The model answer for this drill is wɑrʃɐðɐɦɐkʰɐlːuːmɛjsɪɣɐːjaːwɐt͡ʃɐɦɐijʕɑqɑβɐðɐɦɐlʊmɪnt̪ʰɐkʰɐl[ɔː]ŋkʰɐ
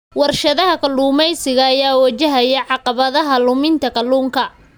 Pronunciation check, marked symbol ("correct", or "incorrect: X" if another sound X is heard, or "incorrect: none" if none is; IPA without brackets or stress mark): incorrect: uː